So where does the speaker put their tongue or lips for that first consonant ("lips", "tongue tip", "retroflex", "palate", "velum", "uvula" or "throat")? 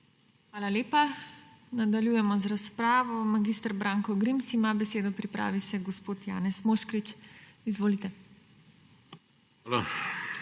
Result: velum